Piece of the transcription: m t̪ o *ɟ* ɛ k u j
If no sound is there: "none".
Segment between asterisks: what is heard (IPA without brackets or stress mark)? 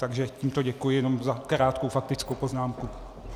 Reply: ɟ